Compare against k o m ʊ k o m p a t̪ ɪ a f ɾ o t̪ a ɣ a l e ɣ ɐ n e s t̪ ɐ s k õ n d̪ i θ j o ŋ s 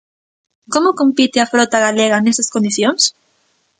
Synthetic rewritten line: k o m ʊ k o m p i t̪ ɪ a f ɾ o t̪ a ɣ a l e ɣ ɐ n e s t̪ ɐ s k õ n d̪ i θ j o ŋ s